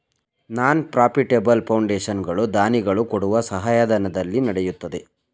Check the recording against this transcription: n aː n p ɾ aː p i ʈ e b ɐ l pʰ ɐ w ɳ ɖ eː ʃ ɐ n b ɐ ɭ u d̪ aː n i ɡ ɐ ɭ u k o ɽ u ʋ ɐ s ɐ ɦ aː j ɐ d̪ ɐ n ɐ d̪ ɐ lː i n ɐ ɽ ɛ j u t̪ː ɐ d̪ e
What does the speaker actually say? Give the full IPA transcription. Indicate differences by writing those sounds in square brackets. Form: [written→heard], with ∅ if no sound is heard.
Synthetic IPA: n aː n p ɾ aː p i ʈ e b ɐ l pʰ ɐ w ɳ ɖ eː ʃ ɐ n [b→ɡ] ɐ ɭ u d̪ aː n i ɡ ɐ ɭ u k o ɽ u ʋ ɐ s ɐ ɦ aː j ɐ d̪ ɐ n ɐ d̪ ɐ lː i n ɐ ɽ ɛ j u t̪ː ɐ d̪ e

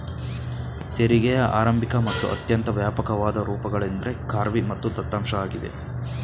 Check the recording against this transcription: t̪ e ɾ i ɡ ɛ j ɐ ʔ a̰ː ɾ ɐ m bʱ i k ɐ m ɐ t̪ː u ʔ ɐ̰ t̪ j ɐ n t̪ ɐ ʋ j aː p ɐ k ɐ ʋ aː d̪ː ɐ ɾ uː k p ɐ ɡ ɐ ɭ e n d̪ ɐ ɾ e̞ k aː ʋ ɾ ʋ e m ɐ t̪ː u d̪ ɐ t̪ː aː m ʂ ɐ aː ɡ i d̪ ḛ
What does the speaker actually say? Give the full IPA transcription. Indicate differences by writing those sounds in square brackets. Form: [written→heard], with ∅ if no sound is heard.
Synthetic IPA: t̪ e ɾ i ɡ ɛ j ɐ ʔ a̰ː ɾ ɐ m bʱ i k ɐ m ɐ t̪ː u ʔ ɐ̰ t̪ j ɐ n t̪ ɐ ʋ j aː p ɐ k ɐ ʋ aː [d̪ː→d̪] ɐ ɾ uː [k→∅] p ɐ ɡ ɐ ɭ e n d̪ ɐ ɾ e̞ k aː [ʋ→∅] ɾ ʋ [e→i] m ɐ t̪ː u d̪ ɐ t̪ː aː m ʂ ɐ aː ɡ i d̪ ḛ

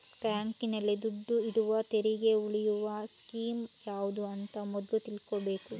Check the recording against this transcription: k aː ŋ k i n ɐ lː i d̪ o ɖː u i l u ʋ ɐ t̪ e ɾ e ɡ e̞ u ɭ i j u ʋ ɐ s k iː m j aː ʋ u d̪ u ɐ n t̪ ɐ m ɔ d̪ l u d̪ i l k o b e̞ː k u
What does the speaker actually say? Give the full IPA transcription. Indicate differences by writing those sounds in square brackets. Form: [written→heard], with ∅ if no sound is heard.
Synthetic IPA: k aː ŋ k i n ɐ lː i d̪ [o→u] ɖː u i [l→ɽ] u ʋ ɐ t̪ e ɾ [e→i] ɡ e̞ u ɭ i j u ʋ ɐ s k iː m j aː ʋ u d̪ u ɐ n t̪ ɐ m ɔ d̪ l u [d̪→t̪] i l k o b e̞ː k u

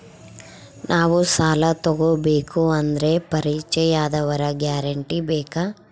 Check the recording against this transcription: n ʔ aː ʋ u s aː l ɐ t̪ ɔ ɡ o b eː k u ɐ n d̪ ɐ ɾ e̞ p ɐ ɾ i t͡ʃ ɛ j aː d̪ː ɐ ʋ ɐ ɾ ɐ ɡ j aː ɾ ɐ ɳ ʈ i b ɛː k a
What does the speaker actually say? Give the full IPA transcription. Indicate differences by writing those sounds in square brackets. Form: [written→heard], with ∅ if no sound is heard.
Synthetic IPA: n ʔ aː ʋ u s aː l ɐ t̪ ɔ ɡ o b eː k u ɐ n d̪ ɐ ɾ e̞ p ɐ ɾ i t͡ʃ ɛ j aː [d̪ː→d̪] ɐ ʋ ɐ ɾ ɐ ɡ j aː ɾ ɐ ɳ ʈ i b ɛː k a

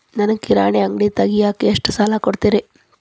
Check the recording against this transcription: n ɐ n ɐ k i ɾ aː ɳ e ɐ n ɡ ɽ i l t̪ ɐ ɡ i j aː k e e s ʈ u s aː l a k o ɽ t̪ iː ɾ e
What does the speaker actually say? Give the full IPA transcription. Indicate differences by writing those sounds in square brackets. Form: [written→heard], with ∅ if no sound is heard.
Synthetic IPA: n ɐ n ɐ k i ɾ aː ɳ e ɐ [n→ŋ] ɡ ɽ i [l→∅] t̪ ɐ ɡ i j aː k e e [s→ʂ] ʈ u s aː l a k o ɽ t̪ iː ɾ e

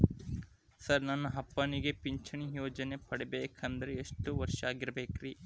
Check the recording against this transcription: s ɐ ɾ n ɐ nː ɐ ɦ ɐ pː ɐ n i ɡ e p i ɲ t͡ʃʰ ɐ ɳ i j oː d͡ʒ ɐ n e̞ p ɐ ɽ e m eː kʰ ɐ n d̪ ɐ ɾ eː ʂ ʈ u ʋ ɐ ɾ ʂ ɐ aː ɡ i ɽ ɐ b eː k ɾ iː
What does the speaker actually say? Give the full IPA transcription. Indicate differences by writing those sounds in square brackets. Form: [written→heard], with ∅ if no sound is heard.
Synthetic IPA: s ɐ ɾ n ɐ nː ɐ ɦ ɐ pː ɐ n i ɡ e p i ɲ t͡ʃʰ ɐ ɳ i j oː d͡ʒ ɐ n e̞ p ɐ ɽ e [m→b] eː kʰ ɐ n d̪ ɐ ɾ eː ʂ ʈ u ʋ ɐ ɾ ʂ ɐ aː ɡ i [ɽ→ɾ] ɐ b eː k ɾ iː

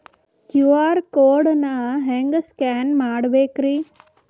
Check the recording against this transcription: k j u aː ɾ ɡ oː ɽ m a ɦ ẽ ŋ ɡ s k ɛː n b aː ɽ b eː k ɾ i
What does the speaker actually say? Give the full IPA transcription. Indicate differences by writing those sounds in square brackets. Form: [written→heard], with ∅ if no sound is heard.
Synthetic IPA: k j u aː ɾ [ɡ→k] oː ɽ [m→n] a ɦ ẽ ŋ ɡ s k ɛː n [b→m] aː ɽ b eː k ɾ i

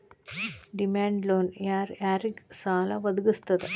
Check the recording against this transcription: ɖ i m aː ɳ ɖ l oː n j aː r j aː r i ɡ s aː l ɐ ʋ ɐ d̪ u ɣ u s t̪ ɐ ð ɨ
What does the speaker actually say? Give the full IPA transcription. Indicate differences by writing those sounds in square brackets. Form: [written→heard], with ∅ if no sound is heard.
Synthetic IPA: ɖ i m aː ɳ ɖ l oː n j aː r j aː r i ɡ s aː l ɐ ʋ ɐ d̪ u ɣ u s t̪ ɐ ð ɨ

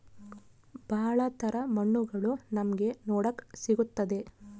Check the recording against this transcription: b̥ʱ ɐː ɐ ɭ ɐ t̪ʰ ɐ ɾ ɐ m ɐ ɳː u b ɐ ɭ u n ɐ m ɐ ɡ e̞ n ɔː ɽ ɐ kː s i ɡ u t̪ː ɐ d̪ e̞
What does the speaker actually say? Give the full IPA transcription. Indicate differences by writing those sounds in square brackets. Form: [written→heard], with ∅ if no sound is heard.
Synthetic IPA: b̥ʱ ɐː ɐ ɭ ɐ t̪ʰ ɐ ɾ ɐ m ɐ ɳː u [b→ɡ] ɐ ɭ u n ɐ m ɐ ɡ e̞ n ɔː ɽ ɐ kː s i ɡ u t̪ː ɐ d̪ e̞

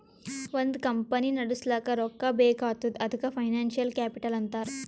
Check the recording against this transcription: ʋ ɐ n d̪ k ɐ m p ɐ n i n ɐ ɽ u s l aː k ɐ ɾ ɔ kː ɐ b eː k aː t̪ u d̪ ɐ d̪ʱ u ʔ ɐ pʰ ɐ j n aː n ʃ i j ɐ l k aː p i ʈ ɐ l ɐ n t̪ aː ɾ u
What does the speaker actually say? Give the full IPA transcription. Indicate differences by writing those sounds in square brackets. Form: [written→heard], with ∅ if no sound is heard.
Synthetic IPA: ʋ ɐ n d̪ k ɐ m p ɐ n i n ɐ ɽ u s l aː k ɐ ɾ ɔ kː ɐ b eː k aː t̪ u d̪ ɐ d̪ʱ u [ʔ→k] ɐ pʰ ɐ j n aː n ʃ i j ɐ l k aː p i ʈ ɐ l ɐ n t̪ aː ɾ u

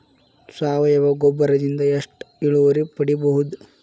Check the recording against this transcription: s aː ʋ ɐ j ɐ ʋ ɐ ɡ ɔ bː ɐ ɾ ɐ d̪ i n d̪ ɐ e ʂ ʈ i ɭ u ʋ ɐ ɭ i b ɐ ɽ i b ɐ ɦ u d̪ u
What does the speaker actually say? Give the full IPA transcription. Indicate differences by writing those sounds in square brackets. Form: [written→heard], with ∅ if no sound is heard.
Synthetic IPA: s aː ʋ ɐ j ɐ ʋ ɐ ɡ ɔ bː ɐ ɾ ɐ d̪ i n d̪ ɐ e ʂ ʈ i ɭ u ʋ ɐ [ɭ→ɾ] i [b→p] ɐ ɽ i b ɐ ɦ u d̪ u

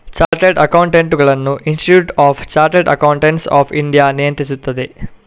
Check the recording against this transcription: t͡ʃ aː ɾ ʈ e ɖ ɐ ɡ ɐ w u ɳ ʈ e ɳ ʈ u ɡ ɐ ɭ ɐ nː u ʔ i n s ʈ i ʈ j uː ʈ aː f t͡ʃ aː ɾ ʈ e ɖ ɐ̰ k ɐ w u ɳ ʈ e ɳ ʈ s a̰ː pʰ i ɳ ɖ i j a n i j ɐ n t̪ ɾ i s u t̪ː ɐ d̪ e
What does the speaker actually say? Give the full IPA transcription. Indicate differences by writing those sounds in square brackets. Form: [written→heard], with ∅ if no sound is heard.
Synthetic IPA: t͡ʃ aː ɾ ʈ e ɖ ɐ [ɡ→k] ɐ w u ɳ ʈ e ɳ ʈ u ɡ ɐ ɭ ɐ nː u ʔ i n s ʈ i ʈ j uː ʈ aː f t͡ʃ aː ɾ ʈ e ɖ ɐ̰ k ɐ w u ɳ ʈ e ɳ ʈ s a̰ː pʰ i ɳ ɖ i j a n i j ɐ n t̪ ɾ i s u t̪ː ɐ d̪ e

